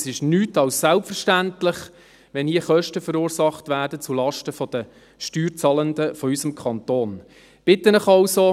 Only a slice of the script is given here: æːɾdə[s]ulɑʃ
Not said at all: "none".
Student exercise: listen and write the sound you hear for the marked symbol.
t͡s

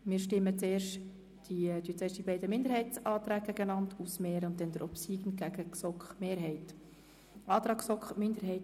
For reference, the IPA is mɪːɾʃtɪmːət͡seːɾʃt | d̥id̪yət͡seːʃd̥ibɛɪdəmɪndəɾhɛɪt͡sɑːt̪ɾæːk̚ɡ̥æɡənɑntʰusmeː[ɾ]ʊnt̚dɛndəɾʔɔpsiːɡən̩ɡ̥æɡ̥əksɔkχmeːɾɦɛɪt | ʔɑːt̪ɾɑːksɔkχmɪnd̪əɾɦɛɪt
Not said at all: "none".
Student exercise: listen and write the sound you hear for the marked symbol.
ɾ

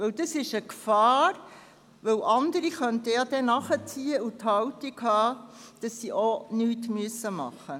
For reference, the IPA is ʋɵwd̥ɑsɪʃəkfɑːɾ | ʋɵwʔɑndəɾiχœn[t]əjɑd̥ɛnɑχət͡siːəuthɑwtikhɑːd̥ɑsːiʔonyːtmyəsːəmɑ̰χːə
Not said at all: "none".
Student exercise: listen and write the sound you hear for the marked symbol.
t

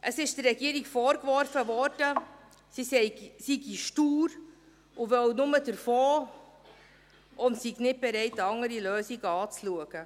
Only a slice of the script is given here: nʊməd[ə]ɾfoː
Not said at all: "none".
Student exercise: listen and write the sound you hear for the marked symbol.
ə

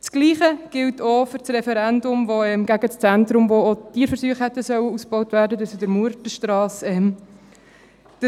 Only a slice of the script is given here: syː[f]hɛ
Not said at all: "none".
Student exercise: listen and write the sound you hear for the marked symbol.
χ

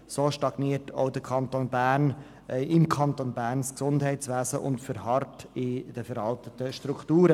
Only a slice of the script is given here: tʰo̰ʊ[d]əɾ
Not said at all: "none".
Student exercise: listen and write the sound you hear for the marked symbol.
d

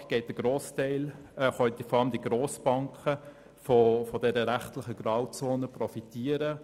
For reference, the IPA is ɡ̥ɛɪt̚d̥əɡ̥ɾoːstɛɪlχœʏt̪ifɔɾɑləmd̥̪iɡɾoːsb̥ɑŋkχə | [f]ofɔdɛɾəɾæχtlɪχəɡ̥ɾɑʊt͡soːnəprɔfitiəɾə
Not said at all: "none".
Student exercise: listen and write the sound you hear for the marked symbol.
f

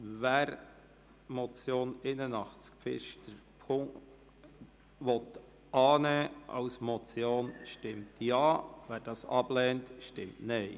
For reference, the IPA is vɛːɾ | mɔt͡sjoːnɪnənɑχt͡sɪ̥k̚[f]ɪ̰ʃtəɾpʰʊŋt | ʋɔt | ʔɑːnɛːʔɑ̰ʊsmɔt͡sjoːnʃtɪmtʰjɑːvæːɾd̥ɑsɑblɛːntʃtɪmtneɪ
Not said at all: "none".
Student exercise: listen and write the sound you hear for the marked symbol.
f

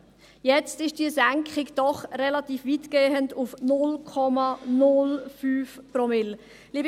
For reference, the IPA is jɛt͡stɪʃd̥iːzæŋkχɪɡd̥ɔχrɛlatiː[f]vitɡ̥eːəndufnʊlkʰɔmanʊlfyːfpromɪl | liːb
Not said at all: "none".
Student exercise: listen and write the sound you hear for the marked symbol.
f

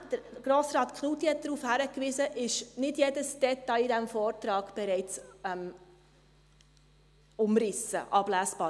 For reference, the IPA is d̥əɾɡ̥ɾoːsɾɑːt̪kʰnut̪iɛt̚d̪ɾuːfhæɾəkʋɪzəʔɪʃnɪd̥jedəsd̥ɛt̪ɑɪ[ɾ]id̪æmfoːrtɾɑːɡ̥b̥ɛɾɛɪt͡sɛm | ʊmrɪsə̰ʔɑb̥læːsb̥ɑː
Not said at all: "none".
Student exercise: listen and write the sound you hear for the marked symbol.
none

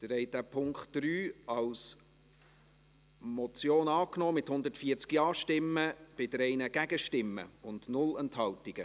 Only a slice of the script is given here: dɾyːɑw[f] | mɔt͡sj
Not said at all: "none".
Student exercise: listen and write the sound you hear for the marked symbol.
s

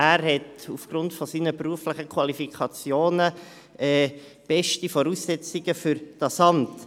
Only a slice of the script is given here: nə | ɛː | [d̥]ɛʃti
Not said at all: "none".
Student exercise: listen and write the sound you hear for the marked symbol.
b̥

